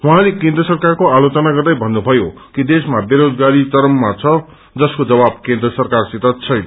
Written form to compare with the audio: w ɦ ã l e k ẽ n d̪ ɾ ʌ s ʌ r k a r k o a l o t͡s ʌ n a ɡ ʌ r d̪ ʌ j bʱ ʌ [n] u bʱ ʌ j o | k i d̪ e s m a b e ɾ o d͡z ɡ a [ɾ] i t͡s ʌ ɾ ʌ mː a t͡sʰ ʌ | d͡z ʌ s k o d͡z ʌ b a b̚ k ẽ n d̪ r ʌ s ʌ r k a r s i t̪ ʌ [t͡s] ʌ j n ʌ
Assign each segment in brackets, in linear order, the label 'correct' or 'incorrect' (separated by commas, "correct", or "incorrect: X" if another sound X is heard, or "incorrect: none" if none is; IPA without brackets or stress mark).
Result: incorrect: nː, correct, incorrect: t͡sʰ